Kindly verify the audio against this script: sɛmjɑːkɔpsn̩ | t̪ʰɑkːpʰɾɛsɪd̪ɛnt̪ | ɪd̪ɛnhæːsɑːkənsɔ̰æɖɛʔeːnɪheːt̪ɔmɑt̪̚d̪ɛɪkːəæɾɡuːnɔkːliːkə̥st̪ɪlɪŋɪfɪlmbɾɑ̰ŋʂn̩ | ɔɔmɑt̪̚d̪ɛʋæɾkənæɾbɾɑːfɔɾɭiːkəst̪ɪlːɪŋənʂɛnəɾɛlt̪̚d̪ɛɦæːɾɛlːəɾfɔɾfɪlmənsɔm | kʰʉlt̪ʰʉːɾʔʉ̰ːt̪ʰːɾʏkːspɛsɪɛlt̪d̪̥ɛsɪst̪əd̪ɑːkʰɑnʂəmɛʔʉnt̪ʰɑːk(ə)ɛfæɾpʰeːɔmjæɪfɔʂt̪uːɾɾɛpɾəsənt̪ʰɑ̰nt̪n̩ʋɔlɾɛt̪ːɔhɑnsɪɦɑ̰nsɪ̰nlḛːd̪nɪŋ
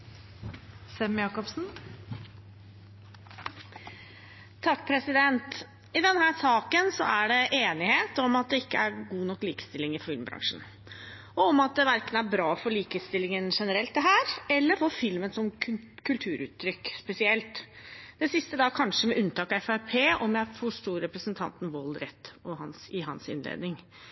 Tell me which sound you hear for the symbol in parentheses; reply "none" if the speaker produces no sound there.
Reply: ɑ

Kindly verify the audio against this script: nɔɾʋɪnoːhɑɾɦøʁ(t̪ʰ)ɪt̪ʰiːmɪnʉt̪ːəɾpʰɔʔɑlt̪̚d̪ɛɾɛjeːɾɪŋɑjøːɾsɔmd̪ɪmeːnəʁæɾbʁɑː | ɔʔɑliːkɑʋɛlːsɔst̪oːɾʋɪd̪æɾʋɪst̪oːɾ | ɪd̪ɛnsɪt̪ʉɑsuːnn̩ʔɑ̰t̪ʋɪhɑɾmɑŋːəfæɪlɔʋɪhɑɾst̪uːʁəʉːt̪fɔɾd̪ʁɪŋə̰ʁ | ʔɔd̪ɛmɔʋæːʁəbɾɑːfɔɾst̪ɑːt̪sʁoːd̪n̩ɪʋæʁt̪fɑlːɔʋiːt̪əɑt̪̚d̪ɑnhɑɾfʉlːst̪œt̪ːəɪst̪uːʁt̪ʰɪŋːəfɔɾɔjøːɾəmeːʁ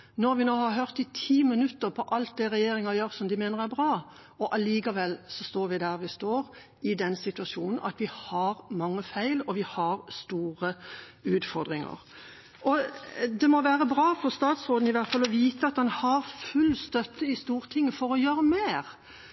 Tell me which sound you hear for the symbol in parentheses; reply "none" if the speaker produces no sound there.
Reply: t̪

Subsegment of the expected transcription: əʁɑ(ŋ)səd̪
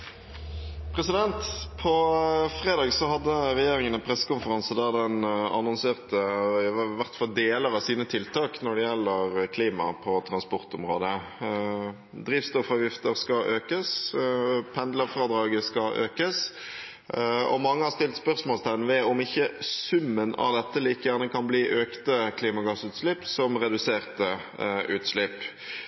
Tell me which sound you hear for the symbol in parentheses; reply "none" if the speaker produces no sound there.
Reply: n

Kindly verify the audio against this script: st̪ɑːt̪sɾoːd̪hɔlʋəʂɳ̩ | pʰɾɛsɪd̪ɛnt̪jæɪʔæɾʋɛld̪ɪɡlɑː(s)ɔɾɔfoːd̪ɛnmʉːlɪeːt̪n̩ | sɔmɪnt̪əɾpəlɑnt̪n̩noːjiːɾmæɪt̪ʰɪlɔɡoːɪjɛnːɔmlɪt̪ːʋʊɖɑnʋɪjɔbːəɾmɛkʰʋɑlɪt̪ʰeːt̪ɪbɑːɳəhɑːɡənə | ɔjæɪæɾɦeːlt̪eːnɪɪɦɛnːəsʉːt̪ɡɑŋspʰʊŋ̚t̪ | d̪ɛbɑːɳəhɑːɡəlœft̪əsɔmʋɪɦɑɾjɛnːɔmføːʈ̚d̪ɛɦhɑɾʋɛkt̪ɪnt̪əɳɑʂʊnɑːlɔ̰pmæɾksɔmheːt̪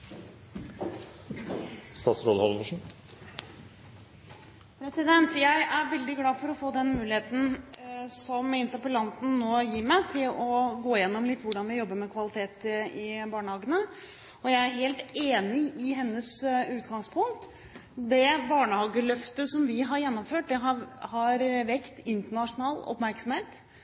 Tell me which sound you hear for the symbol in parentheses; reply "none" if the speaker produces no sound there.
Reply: f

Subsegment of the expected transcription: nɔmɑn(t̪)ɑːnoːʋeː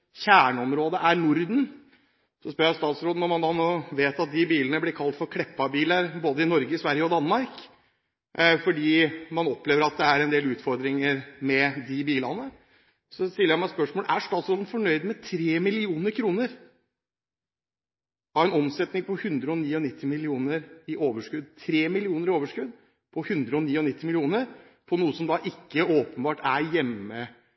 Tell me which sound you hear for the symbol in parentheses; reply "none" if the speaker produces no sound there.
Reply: d̪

